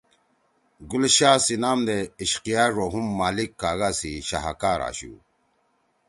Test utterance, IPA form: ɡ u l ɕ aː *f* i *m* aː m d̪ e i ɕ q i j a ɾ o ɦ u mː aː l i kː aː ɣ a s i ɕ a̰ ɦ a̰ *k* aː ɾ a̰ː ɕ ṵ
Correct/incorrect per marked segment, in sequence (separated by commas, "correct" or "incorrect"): incorrect, incorrect, correct